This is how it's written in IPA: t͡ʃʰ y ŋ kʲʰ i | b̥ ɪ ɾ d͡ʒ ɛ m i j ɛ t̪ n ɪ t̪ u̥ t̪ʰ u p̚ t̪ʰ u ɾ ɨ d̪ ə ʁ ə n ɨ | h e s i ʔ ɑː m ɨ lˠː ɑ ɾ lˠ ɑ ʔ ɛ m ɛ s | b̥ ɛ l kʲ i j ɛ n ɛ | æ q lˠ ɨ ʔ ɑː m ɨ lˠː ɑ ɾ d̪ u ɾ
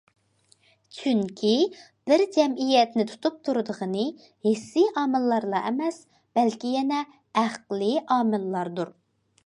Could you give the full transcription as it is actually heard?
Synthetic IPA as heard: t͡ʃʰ y ŋ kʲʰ i | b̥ ɪ ɾ d͡ʒ ɛ m i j ɛ t̪ n ɪ t̪ʰ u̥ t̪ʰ u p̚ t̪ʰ u ɾ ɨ d̪ ə ʁ ə n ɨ | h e s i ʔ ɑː m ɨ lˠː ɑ ɾ lˠ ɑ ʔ ɛ m ɛ s | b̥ ɛ l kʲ i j ɛ n ɛ | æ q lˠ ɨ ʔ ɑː m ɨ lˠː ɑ ɾ d̪ u ɾ